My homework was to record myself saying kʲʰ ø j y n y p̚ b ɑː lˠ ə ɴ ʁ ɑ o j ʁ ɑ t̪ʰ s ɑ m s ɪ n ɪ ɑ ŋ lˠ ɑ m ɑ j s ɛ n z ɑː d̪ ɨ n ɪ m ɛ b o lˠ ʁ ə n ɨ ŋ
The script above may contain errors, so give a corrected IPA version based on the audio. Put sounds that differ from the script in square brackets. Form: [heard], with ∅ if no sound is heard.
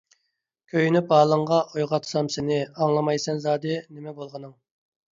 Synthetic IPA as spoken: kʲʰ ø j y n y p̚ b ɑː lˠ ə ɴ ʁ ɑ o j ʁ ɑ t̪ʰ s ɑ m s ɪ n ɪ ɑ ŋ lˠ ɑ m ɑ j s ɛ n z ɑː d̪ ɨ n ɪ m ɛ b o lˠ ʁ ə n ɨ ŋ

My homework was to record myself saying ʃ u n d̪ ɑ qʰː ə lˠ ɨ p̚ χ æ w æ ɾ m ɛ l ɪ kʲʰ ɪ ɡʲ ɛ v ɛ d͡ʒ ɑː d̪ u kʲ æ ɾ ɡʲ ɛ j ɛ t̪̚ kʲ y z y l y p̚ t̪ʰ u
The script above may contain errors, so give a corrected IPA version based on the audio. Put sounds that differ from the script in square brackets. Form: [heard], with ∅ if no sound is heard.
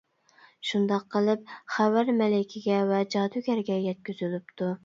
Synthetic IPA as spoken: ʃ u n d̪ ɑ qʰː ə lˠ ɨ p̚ χ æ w æ ɾ m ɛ l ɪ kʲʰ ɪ ɡʲ ɛ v ɛ d͡ʒ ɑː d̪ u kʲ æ ɾ ɡʲ ɛ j ɛ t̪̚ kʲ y z y l y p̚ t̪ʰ u

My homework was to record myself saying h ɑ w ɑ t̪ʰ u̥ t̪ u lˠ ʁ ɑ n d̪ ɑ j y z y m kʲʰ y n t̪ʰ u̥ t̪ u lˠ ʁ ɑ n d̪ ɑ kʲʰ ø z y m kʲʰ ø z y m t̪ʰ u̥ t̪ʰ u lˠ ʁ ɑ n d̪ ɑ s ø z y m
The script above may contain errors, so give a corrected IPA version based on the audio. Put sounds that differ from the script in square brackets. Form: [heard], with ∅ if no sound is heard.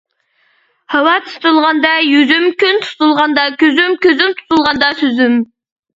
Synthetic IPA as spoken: h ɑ w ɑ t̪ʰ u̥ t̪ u lˠ ʁ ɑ n d̪ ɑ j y z y m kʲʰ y n t̪ʰ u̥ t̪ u lˠ ʁ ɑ n d̪ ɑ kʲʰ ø z y m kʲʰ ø z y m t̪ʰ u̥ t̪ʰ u lˠ ʁ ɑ n d̪ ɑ s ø z y m

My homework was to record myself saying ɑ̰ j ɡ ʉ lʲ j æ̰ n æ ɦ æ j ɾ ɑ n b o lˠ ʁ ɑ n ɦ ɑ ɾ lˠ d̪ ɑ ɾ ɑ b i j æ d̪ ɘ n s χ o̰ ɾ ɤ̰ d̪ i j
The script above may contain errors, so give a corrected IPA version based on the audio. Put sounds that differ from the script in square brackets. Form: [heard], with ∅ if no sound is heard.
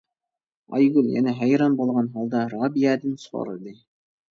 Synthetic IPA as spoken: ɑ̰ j ɡ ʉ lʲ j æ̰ n æ ɦ æ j ɾ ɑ n b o lˠ ʁ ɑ n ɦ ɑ [∅] lˠ d̪ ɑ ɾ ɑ b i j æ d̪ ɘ n s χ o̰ ɾ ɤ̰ d̪ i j

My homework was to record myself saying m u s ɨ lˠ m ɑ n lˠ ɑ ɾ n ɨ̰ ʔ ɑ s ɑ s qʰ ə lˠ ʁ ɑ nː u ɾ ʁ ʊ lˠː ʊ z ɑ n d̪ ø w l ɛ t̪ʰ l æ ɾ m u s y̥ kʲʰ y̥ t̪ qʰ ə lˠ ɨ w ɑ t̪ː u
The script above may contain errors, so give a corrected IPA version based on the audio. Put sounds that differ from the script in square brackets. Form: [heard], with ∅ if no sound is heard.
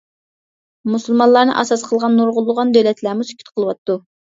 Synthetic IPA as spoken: m u s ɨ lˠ m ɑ n lˠ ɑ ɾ n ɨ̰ ʔ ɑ s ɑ s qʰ ə lˠ ʁ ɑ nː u ɾ ʁ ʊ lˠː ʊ [ʁ] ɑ n d̪ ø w l ɛ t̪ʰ l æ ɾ m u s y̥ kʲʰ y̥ t̪ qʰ ə lˠ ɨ w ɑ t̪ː u

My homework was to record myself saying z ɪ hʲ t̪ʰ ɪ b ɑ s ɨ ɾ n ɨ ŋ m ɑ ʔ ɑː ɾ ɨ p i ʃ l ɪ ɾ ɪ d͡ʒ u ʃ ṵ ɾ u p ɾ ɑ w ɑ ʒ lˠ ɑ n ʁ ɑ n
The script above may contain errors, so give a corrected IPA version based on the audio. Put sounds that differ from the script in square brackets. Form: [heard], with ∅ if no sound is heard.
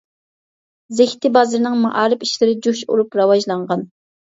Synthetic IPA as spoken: z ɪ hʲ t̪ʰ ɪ b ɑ [z] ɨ ɾ n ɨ ŋ m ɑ ʔ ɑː ɾ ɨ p i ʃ l ɪ ɾ ɪ d͡ʒ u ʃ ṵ ɾ u p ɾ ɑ w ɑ ʒ lˠ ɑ [ɴ] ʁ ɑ n

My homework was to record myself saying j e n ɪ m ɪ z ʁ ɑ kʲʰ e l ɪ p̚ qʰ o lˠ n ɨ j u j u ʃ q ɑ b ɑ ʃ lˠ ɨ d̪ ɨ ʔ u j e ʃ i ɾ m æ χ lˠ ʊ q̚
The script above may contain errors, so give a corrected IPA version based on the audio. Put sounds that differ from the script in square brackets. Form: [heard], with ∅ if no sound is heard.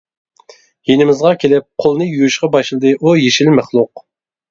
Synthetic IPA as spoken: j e n ɪ m ɪ z ʁ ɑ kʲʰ e l ɪ p̚ qʰ o lˠ n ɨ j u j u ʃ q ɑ b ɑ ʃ lˠ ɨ d̪ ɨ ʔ u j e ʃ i [l] m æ χ lˠ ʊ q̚

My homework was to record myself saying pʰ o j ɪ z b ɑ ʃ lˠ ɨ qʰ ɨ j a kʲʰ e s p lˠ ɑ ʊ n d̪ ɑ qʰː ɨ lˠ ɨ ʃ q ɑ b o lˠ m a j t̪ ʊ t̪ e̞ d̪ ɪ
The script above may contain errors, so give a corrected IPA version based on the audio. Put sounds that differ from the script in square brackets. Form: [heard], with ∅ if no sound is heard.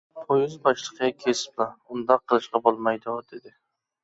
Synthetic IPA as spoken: pʰ o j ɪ z b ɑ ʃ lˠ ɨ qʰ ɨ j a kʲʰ e s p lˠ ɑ ʊ n d̪ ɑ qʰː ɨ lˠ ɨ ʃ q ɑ b o lˠ m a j [d̪] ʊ [d̪] e̞ d̪ ɪ

